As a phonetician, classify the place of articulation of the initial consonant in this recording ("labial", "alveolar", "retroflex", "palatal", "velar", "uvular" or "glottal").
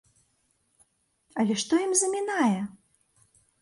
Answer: alveolar